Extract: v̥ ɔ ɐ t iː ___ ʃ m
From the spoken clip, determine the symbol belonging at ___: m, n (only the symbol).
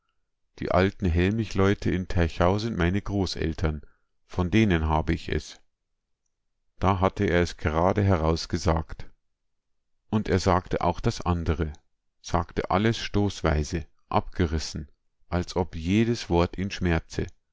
n